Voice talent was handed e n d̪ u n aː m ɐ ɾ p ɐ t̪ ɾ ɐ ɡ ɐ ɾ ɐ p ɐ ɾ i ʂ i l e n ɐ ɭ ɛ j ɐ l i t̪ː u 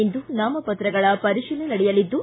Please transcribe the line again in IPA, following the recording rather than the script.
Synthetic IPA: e n d̪ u n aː m ɐ p ɐ t̪ ɾ ɐ ɡ ɐ ɭ ɐ p ɐ ɾ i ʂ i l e n ɐ ɽ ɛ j ɐ l i d̪ː u